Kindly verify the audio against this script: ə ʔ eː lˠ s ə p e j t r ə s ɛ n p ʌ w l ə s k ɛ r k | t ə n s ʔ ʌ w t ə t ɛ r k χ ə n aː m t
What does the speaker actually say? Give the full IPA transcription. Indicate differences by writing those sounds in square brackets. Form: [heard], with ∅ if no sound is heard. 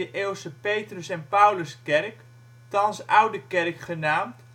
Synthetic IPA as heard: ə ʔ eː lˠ s ə p e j t r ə s ɛ n p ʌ w l ə s k ɛ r k | t [ɑ] n s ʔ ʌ w [d] ə [k] ɛ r k χ ə n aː m t